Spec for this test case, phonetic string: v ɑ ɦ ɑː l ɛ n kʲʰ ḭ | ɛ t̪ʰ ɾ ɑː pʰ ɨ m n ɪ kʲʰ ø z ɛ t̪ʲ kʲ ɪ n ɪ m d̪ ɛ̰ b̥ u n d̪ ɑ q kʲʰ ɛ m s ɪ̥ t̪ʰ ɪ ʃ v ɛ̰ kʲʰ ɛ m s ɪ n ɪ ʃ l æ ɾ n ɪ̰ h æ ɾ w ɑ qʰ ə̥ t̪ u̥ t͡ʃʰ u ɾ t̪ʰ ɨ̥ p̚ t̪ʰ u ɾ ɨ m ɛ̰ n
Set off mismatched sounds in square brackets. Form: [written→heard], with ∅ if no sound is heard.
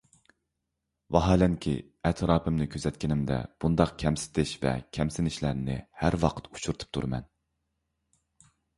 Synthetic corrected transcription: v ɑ ɦ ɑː l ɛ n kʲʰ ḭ | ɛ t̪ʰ ɾ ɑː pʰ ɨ m n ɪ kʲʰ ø z ɛ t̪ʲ kʲ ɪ n ɪ m d̪ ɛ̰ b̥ u n d̪ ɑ q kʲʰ ɛ m s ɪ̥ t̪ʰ ɪ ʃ v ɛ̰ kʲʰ ɛ m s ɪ n ɪ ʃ l æ ɾ n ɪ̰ h æ ɾ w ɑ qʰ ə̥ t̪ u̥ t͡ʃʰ u ɾ t̪ʰ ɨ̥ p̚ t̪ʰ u ɾ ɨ m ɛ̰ n